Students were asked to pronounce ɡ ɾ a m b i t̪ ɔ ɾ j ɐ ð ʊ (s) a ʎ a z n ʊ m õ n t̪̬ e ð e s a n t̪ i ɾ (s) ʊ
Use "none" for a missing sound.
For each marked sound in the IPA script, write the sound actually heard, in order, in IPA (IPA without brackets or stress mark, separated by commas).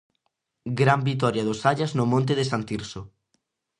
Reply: s, s